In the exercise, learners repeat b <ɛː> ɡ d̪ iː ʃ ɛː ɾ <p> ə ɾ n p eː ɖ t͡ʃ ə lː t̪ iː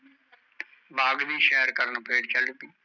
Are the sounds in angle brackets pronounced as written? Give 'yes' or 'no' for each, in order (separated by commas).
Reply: no, no